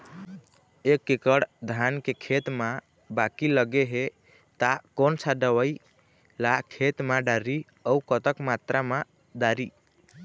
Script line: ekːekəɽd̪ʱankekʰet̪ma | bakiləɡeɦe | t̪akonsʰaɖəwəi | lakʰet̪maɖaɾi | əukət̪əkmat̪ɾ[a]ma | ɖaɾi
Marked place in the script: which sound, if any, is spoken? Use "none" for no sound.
a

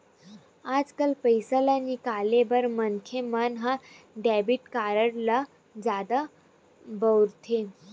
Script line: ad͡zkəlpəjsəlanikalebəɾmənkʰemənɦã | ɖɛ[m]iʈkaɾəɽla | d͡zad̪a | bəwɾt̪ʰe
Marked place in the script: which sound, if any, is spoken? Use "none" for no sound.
b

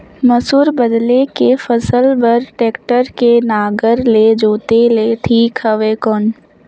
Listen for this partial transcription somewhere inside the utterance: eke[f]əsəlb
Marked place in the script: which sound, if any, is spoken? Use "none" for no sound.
f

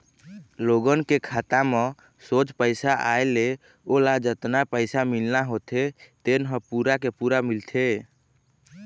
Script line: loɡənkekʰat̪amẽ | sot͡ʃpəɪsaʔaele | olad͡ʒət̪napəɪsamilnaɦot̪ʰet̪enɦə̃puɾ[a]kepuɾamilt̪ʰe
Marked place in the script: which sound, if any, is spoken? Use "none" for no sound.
a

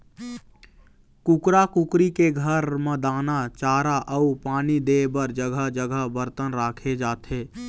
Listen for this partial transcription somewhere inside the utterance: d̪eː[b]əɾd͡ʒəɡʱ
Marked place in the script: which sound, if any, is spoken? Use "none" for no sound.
b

